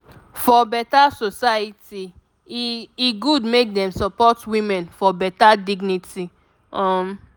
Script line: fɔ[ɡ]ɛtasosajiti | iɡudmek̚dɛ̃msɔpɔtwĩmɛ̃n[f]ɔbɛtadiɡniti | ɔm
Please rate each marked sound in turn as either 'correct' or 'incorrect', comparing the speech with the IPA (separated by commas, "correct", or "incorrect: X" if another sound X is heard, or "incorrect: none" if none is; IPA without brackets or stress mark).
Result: incorrect: b, correct